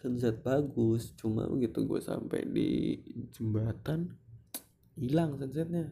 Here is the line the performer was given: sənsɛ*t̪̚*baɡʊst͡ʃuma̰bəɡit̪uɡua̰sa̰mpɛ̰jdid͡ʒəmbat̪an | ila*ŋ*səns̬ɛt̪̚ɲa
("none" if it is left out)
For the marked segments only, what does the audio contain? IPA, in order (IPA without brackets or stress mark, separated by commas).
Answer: t̪̚, ŋ